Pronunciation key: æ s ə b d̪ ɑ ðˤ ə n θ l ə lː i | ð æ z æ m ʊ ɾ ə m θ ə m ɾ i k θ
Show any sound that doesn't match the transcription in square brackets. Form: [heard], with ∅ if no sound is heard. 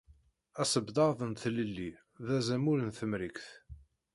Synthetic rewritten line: æ s ə b d̪ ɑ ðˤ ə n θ l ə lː i | ð æ z æ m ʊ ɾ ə [n] θ ə m ɾ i k θ

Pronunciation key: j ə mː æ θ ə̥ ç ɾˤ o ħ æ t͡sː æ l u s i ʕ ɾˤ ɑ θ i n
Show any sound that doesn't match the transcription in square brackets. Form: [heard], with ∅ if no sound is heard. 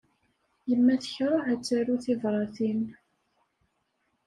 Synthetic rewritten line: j ə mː æ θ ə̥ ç ɾˤ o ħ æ t͡sː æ [ɾ] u [θ] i [v] ɾˤ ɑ θ i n

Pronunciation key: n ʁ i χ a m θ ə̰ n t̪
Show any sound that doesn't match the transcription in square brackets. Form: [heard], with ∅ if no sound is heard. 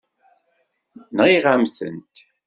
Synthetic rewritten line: n ʁ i [ʁ] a m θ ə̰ n t̪

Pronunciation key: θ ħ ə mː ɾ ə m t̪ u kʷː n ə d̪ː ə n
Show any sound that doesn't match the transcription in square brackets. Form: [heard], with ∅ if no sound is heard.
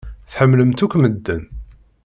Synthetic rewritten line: θ ħ ə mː [l] ə m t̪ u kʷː [m] ə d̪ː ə n

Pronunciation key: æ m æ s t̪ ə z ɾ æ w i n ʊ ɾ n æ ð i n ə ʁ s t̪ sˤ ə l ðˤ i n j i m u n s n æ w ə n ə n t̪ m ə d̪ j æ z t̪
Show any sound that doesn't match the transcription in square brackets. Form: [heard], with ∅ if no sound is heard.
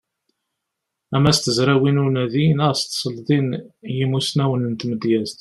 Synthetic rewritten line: æ m æ s t̪ ə z ɾ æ w i n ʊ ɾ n æ ð i n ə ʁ s t̪ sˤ ə l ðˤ i n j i m u [∅] s n æ w ə n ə n t̪ m ə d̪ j æ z t̪

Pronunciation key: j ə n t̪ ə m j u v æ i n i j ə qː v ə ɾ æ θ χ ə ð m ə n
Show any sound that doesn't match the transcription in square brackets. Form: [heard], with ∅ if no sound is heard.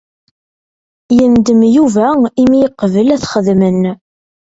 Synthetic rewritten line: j ə n [d̪] ə m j u v æ i [m] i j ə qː v ə [l] æ θ χ ə ð m ə n

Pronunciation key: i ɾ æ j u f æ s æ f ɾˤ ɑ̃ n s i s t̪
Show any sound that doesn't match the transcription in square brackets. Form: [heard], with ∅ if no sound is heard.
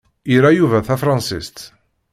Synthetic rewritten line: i ɾ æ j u [v] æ [θ] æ f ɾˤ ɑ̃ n s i s t̪

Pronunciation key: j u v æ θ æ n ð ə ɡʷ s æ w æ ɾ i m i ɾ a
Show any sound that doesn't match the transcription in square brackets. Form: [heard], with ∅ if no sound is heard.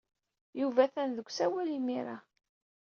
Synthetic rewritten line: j u v æ θ æ n ð ə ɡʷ s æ w æ [l] i m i ɾ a

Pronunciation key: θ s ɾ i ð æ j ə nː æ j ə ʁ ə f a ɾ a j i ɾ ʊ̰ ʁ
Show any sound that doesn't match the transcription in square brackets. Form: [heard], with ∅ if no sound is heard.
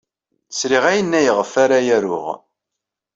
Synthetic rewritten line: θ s ɾ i [ʁ] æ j ə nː æ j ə ʁ ə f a ɾ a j [æ] ɾ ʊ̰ ʁ

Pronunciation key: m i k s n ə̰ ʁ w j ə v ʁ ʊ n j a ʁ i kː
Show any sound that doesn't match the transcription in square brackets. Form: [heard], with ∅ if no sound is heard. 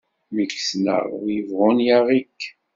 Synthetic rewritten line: m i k s n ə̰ ʁ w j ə v ʁ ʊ n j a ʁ i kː

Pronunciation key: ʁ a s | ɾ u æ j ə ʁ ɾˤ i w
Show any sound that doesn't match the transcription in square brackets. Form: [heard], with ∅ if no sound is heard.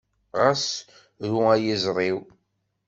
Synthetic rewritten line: ʁ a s | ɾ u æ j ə [z] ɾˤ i w

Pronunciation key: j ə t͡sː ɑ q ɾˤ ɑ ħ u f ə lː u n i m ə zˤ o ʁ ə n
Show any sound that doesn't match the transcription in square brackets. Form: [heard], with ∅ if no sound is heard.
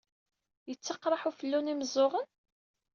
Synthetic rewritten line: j ə t͡sː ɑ q ɾˤ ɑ ħ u f ə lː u n i m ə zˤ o ʁ ə n

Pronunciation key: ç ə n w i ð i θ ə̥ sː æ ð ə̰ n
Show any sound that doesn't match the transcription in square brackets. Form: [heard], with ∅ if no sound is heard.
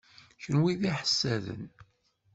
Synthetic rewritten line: ç ə n w i ð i [ħ] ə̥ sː æ ð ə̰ n

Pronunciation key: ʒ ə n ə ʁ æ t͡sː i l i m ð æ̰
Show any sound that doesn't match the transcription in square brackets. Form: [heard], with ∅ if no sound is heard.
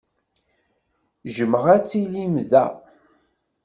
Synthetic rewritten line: ʒ ə [m] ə ʁ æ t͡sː i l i m ð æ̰

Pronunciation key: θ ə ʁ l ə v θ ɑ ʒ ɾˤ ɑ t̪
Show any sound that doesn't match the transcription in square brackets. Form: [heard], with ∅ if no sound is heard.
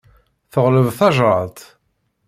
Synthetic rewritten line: θ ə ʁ l ə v θ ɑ ʒ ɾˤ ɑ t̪

